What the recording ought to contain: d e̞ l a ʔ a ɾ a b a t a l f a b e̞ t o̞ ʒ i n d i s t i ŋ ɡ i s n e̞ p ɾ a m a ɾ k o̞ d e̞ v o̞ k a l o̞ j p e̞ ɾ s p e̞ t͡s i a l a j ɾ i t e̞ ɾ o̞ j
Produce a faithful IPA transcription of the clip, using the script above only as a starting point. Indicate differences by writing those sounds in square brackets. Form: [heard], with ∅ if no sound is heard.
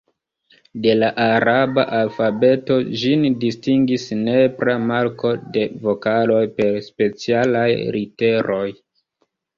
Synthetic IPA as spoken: d e̞ l a ʔ a ɾ a b a [ʔ] a l f a b e̞ t o̞ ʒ i n d i s t i ŋ ɡ i s n e̞ p ɾ a m a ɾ k o̞ d e̞ v o̞ k a l o̞ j p e̞ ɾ s p e̞ t͡s i a l a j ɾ i t e̞ ɾ o̞ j